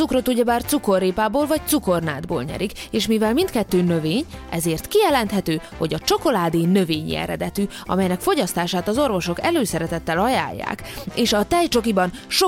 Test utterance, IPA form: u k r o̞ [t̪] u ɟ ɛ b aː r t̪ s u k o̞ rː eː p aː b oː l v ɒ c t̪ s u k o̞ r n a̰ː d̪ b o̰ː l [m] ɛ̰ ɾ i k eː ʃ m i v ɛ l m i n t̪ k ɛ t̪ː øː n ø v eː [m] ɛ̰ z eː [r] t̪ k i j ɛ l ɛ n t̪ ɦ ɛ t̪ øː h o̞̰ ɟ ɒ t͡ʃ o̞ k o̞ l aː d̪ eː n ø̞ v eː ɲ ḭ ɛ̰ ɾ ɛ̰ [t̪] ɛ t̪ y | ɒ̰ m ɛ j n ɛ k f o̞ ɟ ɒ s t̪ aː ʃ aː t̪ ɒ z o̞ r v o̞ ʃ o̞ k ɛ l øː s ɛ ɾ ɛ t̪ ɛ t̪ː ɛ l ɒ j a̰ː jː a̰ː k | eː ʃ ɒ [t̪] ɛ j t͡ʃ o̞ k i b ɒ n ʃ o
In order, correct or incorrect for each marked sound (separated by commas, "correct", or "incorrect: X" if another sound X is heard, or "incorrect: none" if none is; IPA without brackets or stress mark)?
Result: correct, incorrect: ɲ, incorrect: ɲ, correct, incorrect: d̪, correct